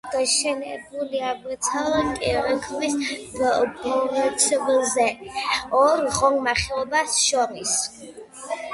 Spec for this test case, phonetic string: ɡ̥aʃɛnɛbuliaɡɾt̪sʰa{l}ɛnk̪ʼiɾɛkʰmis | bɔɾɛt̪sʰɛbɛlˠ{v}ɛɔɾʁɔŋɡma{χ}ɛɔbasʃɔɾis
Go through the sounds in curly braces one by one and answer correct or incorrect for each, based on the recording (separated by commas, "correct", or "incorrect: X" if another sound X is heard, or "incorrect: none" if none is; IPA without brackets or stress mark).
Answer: correct, incorrect: z, correct